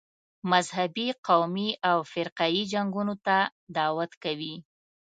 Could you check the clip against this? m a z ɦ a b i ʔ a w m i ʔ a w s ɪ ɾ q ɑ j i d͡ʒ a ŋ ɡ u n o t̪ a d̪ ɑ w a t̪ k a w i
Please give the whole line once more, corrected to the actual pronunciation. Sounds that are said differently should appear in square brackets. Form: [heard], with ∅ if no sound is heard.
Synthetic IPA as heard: m a z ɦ a b i [q] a w m i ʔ a w [f] ɪ ɾ q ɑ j i d͡ʒ a ŋ ɡ u n o t̪ a d̪ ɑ w a t̪ k a w i